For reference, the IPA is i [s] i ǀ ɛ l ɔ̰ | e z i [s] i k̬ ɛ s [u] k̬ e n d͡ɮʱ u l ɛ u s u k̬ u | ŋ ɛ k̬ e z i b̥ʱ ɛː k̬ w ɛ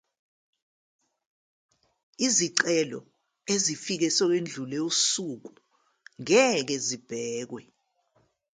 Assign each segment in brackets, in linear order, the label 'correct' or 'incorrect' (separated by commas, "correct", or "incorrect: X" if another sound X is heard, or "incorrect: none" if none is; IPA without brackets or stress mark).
incorrect: z, incorrect: f, incorrect: ɔ